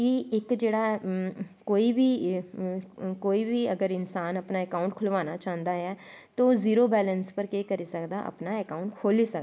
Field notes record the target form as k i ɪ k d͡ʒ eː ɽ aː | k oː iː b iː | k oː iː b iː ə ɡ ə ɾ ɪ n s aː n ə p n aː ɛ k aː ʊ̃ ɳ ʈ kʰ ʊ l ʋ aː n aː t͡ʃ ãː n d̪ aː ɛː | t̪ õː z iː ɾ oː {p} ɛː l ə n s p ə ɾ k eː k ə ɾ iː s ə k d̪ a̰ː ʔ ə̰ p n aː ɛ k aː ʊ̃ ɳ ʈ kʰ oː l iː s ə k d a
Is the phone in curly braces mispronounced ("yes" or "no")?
yes